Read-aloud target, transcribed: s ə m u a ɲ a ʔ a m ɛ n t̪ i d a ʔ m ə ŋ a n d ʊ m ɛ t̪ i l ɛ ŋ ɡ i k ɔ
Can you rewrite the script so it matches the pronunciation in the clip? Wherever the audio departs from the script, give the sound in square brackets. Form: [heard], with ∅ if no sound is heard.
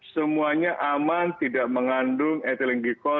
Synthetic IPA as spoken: s ə m u a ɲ a ʔ a m [a] n t̪ i d a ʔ m ə ŋ a n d ʊ [ŋ] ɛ t̪ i l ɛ ŋ ɡ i k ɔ